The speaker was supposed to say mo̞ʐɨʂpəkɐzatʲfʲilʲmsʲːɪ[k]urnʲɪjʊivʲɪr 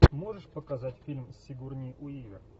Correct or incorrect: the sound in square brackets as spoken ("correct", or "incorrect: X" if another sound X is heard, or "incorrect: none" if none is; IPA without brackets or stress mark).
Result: incorrect: ɡ